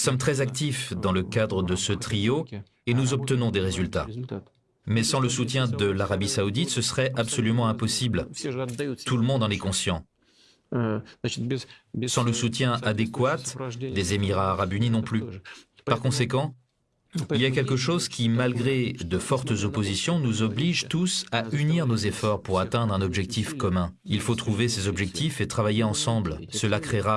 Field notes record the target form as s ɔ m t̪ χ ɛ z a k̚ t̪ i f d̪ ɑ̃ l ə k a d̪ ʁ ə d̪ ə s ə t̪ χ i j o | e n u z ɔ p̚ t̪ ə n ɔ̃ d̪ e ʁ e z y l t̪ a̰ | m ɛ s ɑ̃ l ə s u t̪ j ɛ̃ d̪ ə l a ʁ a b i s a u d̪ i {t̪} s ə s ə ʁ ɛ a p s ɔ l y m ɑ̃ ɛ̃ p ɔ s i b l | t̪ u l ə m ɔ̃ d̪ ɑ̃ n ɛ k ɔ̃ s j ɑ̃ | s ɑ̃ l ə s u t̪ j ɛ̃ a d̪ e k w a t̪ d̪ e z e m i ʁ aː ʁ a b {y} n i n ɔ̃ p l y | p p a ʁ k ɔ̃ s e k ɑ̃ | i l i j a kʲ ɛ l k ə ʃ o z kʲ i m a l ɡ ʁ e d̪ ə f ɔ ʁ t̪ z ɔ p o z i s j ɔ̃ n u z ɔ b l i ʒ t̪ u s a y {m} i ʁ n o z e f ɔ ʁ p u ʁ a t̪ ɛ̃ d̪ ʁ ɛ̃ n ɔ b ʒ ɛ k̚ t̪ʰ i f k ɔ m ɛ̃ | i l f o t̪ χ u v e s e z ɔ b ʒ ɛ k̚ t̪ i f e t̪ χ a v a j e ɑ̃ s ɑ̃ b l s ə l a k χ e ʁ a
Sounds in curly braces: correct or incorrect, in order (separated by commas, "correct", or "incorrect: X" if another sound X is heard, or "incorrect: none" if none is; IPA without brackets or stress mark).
correct, correct, incorrect: n